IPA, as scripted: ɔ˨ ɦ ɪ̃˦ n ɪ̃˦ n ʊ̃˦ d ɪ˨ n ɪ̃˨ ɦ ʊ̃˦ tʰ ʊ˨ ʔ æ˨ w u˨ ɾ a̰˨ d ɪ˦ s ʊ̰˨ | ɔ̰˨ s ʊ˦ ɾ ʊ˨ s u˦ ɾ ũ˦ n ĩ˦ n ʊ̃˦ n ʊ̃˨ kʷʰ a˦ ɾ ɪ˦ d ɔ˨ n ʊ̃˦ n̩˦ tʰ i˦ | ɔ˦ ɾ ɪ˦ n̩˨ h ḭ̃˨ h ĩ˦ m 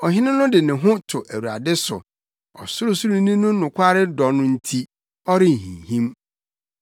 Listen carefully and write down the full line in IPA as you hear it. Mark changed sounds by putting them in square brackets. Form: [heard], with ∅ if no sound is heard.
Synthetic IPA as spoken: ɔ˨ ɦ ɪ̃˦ n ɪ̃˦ n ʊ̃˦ d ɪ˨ n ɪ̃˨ ɦ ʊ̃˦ tʰ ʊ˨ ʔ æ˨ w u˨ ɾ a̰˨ d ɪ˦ s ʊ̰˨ | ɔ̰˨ s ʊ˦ ɾ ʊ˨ s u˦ ɾ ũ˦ n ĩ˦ n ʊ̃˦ n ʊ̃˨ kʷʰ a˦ ɾ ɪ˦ d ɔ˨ n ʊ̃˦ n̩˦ tʰ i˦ | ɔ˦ ɾ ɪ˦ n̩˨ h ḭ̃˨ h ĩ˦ m